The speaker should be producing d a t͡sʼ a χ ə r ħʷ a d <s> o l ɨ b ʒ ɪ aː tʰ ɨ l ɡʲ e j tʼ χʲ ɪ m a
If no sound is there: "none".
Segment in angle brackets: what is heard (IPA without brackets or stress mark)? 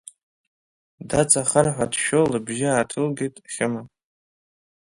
ʃ